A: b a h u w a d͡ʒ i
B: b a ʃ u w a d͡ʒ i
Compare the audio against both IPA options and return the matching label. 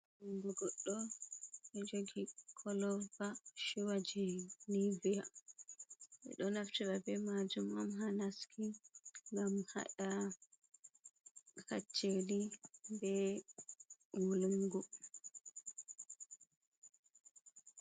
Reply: B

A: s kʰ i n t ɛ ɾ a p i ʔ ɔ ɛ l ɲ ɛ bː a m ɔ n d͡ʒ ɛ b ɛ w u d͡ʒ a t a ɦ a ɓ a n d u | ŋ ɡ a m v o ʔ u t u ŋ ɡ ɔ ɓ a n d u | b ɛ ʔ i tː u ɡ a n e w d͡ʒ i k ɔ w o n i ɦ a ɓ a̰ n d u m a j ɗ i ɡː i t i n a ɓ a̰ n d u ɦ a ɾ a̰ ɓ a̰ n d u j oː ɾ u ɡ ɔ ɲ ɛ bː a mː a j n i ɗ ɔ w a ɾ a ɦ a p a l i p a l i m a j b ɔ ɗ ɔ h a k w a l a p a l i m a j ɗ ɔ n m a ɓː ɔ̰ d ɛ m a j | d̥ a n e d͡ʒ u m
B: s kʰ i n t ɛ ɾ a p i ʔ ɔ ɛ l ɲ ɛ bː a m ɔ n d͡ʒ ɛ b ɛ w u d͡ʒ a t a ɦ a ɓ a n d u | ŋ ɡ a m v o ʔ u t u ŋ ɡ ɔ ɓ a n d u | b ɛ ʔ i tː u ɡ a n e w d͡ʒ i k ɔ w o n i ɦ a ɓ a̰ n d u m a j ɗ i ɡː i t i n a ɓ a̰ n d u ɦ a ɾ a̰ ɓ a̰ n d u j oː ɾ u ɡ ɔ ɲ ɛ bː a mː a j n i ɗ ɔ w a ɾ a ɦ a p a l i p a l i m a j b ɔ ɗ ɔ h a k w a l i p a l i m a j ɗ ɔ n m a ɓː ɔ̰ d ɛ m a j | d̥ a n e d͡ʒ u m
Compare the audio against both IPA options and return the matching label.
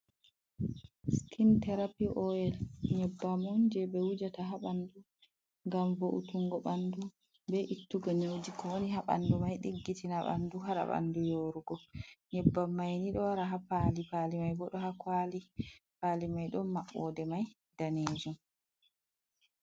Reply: B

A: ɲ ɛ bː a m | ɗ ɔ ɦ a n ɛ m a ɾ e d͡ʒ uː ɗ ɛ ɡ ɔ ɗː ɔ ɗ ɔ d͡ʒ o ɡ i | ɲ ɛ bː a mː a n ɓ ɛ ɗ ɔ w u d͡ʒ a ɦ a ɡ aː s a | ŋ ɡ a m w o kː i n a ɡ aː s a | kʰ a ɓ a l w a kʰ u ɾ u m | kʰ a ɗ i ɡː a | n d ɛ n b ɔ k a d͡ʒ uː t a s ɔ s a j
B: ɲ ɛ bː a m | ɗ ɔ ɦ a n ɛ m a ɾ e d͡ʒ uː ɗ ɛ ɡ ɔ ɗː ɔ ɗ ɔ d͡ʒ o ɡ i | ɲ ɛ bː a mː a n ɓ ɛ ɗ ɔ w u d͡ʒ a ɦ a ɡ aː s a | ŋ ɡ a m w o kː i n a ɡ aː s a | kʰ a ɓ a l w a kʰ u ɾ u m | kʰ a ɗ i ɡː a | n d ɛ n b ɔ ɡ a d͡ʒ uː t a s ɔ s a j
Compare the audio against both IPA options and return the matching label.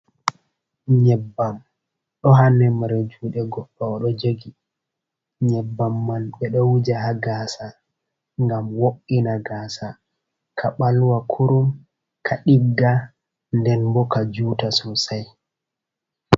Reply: A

